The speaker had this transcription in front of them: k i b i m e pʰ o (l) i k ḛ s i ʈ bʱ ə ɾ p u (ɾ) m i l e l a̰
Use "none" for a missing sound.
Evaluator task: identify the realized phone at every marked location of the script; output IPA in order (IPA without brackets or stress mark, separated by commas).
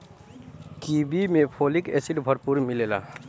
l, ɾ